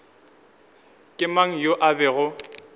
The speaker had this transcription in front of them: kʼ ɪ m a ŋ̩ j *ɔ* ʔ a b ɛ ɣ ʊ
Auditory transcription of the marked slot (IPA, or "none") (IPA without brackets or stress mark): o